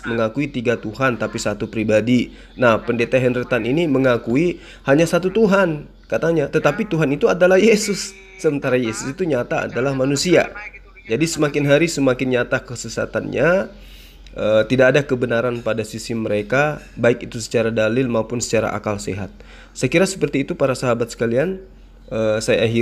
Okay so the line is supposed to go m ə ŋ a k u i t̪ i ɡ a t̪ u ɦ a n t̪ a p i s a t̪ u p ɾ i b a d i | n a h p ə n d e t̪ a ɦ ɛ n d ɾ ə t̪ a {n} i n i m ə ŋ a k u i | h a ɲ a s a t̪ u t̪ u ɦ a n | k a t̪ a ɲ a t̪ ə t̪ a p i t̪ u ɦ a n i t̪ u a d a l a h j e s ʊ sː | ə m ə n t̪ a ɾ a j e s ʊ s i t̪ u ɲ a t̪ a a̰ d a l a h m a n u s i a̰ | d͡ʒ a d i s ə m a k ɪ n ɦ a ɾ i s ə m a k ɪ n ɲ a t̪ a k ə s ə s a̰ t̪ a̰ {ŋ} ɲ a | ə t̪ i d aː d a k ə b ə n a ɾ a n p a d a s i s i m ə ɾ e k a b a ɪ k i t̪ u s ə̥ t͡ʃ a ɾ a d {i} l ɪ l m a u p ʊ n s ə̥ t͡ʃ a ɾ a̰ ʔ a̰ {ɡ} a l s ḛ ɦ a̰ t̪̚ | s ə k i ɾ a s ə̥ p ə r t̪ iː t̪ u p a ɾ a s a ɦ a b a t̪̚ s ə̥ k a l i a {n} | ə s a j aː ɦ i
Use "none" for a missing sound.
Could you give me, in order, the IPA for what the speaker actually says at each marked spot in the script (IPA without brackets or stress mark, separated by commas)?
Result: n, n, a, k, n